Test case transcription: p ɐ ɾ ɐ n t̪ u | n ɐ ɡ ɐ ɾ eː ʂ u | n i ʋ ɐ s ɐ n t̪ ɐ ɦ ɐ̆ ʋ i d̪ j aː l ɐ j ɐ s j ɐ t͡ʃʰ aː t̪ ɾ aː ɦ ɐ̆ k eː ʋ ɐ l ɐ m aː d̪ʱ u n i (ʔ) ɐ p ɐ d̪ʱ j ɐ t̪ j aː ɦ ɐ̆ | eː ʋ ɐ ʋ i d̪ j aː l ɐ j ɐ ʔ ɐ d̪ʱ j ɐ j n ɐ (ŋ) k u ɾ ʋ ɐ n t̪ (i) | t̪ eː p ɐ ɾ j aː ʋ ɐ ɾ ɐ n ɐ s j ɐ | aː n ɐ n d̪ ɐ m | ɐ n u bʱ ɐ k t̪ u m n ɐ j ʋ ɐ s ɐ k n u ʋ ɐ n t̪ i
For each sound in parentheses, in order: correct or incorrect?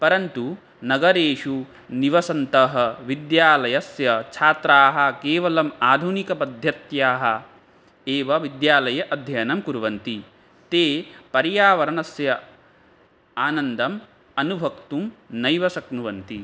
incorrect: k, incorrect: m, correct

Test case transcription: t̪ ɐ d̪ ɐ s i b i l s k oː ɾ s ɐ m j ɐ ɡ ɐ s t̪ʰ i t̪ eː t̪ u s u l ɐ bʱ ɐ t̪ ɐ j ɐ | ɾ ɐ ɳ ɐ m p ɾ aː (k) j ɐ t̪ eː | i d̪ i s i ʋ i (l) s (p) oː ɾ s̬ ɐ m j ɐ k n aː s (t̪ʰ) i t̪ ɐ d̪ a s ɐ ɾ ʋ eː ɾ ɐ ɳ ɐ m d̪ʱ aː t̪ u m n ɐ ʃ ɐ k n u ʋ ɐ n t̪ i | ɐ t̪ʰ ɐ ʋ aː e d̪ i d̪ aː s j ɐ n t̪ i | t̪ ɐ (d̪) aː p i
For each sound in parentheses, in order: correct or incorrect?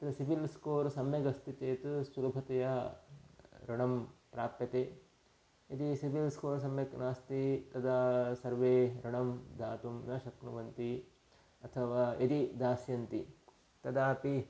incorrect: p, correct, incorrect: k, incorrect: t̪, correct

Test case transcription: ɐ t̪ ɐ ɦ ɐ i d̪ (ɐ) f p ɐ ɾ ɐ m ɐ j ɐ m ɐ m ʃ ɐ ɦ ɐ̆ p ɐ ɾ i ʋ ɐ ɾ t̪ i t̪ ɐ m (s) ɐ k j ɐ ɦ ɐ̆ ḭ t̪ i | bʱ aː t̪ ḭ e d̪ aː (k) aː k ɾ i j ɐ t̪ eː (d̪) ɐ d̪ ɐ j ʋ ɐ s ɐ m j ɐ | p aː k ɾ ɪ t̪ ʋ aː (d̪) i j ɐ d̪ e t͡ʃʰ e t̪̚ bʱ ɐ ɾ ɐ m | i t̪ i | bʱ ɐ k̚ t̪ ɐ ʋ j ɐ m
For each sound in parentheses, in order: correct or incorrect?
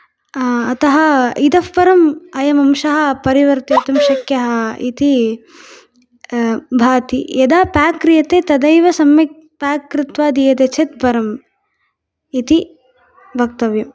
correct, incorrect: ʃ, incorrect: p, incorrect: t̪, correct

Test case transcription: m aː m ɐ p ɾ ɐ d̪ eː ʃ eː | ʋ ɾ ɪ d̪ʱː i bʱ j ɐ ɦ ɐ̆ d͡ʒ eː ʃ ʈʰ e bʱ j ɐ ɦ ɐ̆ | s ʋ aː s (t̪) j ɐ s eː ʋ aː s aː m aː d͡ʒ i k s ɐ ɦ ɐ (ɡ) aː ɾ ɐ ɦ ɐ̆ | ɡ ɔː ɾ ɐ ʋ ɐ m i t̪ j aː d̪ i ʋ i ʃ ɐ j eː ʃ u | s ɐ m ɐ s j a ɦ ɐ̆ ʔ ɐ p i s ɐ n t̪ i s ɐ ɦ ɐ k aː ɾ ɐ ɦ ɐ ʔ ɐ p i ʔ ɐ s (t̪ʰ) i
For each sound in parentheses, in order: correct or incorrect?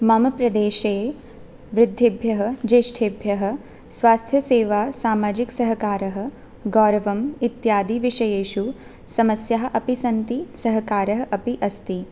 incorrect: t̪ʰ, incorrect: k, incorrect: t̪

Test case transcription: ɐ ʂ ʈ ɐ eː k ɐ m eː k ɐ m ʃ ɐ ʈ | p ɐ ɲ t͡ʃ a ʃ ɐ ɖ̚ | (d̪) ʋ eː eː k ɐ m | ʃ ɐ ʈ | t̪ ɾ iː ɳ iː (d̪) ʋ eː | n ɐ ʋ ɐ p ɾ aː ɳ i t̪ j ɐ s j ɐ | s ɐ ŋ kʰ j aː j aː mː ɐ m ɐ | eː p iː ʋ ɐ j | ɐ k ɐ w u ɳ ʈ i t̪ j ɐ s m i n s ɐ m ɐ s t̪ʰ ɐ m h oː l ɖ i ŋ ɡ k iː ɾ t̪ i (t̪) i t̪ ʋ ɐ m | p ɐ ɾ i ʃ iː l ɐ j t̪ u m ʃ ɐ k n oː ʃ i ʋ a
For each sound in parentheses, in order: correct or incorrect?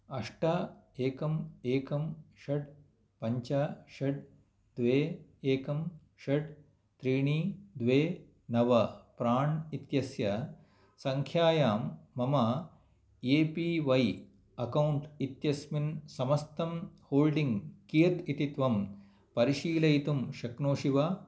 correct, correct, correct

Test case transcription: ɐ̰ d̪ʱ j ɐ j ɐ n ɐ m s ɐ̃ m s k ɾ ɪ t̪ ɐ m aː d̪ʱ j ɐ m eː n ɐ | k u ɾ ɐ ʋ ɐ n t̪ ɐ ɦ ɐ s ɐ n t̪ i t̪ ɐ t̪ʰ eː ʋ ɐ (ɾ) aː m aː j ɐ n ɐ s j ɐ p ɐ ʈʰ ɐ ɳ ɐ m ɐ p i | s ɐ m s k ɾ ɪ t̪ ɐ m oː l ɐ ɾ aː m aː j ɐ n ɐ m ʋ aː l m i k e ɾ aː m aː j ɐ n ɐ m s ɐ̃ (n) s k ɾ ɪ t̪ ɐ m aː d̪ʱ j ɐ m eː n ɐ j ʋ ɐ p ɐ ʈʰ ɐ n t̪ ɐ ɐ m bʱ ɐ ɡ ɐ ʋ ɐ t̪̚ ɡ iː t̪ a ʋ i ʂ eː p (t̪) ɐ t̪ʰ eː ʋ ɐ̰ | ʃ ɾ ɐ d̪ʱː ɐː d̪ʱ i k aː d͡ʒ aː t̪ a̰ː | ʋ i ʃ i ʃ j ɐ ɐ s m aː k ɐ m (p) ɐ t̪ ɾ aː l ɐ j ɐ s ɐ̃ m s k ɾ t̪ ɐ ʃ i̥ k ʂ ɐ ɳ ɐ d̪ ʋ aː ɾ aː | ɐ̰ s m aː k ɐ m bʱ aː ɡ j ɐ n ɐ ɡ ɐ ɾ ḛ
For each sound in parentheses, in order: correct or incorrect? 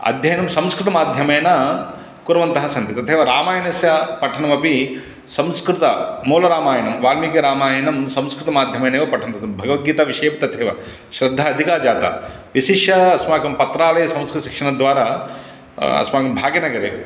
correct, incorrect: m, correct, correct

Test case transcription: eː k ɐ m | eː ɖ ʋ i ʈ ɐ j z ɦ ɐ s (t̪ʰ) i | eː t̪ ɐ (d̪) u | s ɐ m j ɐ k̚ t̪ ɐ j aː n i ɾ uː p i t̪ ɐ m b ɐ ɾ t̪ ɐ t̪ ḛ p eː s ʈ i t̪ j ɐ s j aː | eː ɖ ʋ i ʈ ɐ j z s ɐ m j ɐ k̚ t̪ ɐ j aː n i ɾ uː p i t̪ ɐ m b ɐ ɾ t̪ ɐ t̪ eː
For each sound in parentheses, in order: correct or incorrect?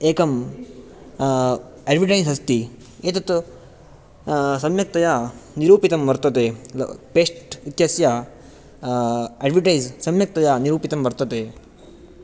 incorrect: t̪, incorrect: t̪

